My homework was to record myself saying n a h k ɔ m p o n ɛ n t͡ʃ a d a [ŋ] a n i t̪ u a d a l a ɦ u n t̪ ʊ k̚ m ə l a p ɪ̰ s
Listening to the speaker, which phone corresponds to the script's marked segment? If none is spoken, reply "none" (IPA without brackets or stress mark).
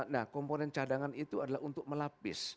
ŋ